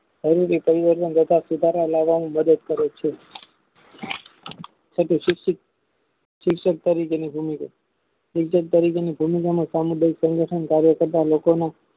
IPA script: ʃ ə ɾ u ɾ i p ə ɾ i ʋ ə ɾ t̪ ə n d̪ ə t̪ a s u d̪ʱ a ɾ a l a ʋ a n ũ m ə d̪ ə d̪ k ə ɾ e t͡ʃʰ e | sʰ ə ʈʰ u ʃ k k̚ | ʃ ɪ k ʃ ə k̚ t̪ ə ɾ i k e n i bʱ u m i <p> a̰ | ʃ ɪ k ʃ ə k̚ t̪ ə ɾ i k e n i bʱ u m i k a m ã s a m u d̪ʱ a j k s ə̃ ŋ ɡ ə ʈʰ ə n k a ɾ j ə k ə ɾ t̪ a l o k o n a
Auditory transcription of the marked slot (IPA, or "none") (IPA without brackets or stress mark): k